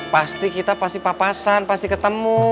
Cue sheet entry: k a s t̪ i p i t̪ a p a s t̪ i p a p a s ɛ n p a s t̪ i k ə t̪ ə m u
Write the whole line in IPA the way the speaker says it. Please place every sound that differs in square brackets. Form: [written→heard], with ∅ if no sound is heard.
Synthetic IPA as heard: [k→p] a s t̪ i [p→k] i t̪ a p a s t̪ i p a p a s [ɛ→a] n p a s t̪ i k ə t̪ ə m u

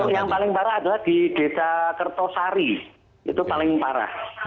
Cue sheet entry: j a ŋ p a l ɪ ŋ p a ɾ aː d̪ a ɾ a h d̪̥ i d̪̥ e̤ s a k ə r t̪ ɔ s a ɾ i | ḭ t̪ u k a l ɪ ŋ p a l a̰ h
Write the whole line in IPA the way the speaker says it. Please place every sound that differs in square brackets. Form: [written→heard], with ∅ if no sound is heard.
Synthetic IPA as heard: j a ŋ p a l ɪ ŋ p a ɾ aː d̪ a [ɾ→l] a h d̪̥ i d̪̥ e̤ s a k ə r t̪ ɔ s a ɾ i | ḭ t̪ u [k→p] a l ɪ ŋ p a [l→ɾ] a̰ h

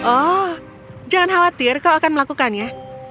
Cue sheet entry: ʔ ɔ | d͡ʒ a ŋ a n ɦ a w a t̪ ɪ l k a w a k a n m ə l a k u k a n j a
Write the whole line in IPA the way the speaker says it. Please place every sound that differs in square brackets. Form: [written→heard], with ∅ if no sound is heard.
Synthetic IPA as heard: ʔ ɔ | d͡ʒ a ŋ a n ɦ a w a t̪ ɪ [l→r] k a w a k a n m ə l a k u k a n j a

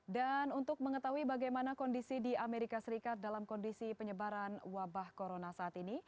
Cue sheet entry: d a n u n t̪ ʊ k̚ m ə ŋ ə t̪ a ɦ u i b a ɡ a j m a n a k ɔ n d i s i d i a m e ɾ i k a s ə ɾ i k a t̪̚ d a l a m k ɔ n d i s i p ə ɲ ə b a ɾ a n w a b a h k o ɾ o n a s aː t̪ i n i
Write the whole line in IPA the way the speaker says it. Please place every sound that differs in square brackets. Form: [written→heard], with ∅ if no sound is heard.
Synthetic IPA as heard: d a n u n t̪ ʊ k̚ m ə ŋ ə t̪ a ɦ u i b a ɡ a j m a n a k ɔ n d i s i d i a m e ɾ i k a s ə ɾ i k a t̪̚ d a l a m k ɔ n d i s i p ə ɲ ə b a ɾ a n w a b a h k o ɾ o n a s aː t̪ i n i

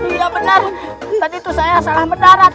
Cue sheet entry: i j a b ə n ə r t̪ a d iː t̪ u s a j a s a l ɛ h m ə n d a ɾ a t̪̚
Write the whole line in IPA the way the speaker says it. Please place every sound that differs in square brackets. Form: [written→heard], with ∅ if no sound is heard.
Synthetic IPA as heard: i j a b ə n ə r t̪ a d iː t̪ u s a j a s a l [ɛ→a] h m ə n d a ɾ a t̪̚

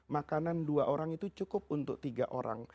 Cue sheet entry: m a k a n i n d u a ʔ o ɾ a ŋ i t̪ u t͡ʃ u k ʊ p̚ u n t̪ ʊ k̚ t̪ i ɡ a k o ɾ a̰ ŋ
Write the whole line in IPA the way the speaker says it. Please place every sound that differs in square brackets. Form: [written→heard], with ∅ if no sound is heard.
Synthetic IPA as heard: m a k a n [i→a] n d u a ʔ o ɾ a ŋ i t̪ u t͡ʃ u k ʊ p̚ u n t̪ ʊ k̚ t̪ i ɡ a [k→ʔ] o ɾ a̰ ŋ

